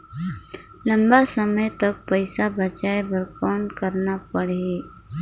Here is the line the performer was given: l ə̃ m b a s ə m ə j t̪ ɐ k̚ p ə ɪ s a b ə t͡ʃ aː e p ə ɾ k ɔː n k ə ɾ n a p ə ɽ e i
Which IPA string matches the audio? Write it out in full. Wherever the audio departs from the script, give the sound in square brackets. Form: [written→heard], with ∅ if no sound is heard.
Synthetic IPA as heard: l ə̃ m b a s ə m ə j t̪ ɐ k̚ p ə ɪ s a b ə t͡ʃ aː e [p→b] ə ɾ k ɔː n k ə ɾ n a p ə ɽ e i